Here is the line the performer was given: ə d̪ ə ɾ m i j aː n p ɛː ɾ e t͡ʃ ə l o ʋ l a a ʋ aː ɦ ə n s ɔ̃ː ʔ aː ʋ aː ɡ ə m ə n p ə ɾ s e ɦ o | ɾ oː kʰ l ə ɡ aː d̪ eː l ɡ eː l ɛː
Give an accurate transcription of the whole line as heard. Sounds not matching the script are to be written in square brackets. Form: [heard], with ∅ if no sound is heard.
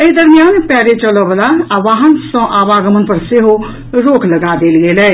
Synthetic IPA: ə d̪ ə ɾ m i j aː n p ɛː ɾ e t͡ʃ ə l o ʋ l a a ʋ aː ɦ ə n s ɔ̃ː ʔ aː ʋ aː ɡ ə m ə n p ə ɾ s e ɦ o | ɾ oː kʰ l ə ɡ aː d̪ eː l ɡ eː l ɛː